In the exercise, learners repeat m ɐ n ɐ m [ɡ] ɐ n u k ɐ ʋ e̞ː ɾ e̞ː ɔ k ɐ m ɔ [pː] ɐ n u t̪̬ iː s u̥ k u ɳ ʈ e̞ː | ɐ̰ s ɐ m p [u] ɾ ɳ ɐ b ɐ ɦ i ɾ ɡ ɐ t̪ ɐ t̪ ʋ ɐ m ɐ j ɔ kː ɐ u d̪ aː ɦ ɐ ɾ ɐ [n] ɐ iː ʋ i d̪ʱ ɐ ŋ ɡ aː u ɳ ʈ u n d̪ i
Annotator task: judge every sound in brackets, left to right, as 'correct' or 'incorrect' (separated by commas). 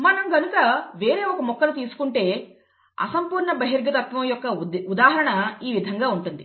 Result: correct, incorrect, incorrect, incorrect